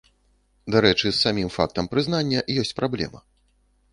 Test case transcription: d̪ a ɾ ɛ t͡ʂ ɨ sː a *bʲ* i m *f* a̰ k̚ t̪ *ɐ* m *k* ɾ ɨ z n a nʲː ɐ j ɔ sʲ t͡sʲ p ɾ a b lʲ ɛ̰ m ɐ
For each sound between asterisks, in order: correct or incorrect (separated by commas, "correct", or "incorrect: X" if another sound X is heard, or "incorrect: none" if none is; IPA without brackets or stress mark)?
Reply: incorrect: mʲ, correct, correct, incorrect: p